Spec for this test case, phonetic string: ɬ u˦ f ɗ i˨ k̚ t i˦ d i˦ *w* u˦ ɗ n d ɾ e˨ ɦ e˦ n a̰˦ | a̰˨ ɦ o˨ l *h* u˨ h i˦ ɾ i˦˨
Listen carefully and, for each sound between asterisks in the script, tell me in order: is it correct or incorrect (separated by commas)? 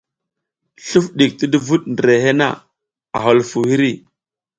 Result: incorrect, incorrect